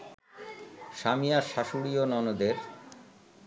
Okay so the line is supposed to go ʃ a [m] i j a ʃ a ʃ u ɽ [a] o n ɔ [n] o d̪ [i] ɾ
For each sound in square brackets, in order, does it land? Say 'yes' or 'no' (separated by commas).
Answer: yes, no, yes, no